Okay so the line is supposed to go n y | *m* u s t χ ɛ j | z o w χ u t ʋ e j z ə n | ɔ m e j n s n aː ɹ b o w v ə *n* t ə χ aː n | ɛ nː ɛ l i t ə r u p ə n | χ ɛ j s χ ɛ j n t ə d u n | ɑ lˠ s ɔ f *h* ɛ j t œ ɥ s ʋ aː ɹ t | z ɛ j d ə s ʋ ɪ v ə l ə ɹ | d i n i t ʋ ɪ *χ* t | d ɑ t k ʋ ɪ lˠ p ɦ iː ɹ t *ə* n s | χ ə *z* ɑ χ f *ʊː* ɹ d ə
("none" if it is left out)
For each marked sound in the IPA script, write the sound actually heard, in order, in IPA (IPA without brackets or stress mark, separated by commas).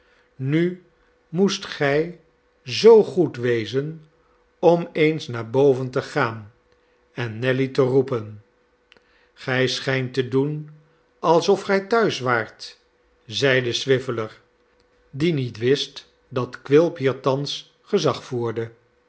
m, n, χ, s, ɑ, z, uː